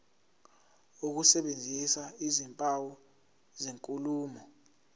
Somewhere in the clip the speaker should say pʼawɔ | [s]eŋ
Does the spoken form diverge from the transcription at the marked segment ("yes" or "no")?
yes